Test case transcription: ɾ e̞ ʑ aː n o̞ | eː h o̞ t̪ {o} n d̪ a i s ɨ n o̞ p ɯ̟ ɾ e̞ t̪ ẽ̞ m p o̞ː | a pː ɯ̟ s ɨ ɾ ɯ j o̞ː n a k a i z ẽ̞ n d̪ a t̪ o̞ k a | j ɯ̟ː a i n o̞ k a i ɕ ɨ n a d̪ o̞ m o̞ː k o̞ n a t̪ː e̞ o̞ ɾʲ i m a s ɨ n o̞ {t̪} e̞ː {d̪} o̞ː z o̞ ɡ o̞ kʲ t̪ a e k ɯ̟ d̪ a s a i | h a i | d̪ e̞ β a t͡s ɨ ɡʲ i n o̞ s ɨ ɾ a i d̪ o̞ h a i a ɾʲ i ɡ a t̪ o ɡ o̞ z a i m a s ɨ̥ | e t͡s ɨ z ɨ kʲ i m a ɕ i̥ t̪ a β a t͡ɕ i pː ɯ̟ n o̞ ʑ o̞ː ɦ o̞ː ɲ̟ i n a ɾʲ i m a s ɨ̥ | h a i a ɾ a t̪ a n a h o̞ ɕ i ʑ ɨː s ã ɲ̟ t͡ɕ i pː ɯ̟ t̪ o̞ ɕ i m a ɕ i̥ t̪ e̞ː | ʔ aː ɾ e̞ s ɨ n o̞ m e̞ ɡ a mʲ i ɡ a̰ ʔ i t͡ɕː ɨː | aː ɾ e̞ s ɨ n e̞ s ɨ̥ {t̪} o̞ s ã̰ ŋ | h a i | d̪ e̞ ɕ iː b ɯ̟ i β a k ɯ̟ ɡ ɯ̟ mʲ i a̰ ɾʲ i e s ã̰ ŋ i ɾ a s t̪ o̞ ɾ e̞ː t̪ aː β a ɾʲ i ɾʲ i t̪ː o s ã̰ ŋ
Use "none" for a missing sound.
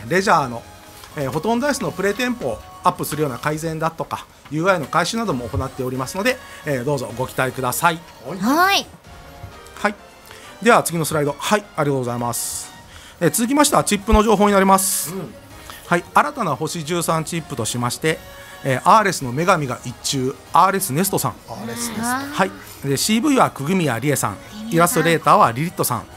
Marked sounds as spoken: õ, d̪, d̪, t̪

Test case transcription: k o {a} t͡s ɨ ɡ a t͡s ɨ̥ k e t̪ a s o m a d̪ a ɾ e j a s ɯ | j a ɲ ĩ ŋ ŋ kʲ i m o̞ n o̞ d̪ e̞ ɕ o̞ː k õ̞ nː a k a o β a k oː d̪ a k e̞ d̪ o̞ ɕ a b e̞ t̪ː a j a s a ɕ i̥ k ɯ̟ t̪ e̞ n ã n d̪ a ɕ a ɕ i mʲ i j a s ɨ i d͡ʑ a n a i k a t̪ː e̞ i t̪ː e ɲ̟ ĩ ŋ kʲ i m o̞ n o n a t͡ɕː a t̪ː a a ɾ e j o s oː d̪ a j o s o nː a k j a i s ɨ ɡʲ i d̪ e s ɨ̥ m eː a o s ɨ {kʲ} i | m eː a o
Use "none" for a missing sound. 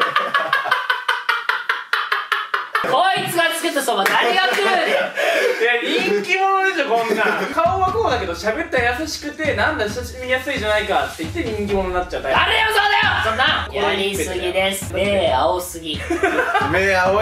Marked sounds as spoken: i, ɡʲ

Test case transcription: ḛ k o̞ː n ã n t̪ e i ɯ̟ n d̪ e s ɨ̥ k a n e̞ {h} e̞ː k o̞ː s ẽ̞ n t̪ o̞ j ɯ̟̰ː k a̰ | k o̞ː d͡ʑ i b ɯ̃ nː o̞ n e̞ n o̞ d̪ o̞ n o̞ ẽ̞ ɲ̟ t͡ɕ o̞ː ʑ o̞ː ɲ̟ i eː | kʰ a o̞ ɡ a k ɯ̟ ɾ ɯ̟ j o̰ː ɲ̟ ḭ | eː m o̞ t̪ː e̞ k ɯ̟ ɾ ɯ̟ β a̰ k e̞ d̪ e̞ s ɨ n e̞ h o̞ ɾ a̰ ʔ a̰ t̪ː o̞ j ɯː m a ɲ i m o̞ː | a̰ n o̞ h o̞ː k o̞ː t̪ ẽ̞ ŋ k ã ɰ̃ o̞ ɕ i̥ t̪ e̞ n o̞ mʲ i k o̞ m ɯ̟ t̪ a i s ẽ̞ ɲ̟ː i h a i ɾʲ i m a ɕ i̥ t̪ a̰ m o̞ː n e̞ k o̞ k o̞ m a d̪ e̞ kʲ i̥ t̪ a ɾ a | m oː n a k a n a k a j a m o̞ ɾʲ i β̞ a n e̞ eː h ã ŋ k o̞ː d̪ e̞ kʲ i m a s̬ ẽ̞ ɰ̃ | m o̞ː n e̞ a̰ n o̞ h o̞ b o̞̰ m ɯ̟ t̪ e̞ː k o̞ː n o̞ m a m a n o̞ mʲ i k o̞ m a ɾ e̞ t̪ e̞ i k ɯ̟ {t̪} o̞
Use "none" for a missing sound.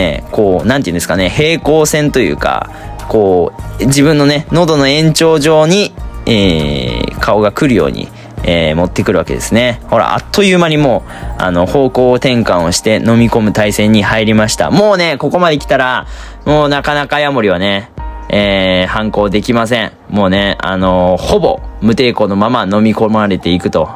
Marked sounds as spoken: h, t̪

